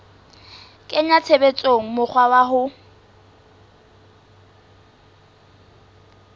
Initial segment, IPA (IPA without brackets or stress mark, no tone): kʼ